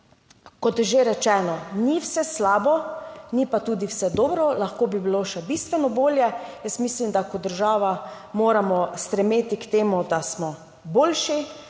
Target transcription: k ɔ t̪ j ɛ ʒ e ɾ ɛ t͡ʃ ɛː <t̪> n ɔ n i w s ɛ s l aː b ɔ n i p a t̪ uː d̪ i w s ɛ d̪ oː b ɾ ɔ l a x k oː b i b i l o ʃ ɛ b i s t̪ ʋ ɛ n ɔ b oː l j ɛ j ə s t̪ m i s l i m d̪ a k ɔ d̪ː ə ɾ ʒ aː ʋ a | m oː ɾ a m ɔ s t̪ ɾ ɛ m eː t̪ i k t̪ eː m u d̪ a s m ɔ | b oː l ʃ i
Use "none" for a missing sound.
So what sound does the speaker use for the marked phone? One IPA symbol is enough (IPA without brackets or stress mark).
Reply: none